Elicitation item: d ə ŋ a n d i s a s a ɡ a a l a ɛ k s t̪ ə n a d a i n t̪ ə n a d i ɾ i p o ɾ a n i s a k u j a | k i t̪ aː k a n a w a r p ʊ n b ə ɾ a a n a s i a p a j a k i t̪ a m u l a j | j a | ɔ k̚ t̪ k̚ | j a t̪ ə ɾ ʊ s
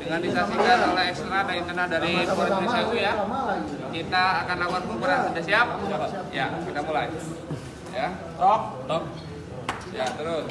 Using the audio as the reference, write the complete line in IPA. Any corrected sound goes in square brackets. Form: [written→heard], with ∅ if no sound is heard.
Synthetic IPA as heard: d ə ŋ a n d i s a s [a→i] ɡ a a l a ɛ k s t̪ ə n a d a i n t̪ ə n a d [i→a] ɾ i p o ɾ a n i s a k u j a | k i t̪ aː k a n a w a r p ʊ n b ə ɾ a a [n→d] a s i a p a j a k i t̪ a m u l a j | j a | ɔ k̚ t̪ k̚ | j a t̪ ə ɾ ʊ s